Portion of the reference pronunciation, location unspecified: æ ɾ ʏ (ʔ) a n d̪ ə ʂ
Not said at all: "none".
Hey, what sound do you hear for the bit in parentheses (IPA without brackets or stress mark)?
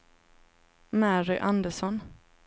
ʔ